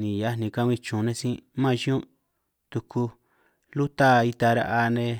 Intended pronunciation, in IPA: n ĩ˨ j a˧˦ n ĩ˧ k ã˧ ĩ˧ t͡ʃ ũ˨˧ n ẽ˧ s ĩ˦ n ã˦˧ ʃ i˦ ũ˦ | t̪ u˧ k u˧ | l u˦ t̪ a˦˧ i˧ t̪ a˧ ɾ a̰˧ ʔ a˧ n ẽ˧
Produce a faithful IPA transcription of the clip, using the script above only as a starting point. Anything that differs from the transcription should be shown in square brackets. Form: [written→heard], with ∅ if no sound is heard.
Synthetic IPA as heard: n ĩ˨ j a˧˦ n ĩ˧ k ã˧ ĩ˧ t͡ʃ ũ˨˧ n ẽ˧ s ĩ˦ [n→m] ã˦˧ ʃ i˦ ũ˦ | t̪ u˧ k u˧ | l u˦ t̪ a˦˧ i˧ t̪ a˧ ɾ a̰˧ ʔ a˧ n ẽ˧